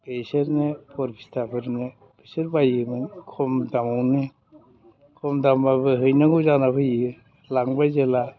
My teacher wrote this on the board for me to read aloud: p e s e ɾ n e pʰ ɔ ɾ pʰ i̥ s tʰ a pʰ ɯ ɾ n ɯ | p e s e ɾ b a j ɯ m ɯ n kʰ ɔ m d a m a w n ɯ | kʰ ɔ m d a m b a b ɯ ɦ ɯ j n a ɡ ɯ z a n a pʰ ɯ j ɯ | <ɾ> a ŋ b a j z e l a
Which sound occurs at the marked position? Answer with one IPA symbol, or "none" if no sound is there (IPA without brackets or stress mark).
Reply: l